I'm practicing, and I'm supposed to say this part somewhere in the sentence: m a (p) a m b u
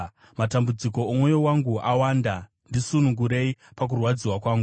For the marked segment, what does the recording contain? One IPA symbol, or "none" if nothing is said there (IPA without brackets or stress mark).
t